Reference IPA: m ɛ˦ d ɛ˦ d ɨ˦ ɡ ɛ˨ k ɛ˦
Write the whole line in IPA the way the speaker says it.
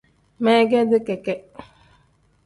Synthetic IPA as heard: m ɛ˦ ɡ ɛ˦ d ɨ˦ k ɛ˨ k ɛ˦